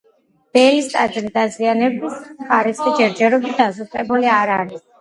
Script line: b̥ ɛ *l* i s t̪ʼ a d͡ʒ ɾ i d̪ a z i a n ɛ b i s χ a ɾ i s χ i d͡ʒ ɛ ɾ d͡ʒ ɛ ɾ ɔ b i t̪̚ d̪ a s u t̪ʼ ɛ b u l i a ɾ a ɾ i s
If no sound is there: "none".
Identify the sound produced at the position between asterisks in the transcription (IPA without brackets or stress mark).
l